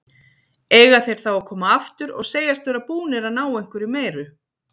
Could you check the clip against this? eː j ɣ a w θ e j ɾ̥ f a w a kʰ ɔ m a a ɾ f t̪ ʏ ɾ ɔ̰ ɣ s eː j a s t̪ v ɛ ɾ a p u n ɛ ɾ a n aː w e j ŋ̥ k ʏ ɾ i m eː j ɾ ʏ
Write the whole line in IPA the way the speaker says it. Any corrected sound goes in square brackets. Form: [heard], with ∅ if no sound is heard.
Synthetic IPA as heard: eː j ɣ a [∅] θ e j ɾ̥ [θ] a w a kʰ [ɔː] m a a [∅] f t̪ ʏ ɾ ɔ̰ ɣ s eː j a s t̪ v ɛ ɾ a p [uː] n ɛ ɾ a n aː w e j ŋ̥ k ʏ ɾ i m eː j ɾ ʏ